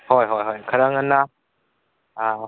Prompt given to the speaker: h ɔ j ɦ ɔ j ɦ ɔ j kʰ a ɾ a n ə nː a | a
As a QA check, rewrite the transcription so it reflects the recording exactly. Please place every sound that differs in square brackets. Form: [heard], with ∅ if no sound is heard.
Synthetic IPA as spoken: h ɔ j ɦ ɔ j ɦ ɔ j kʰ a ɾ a [ŋ] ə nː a | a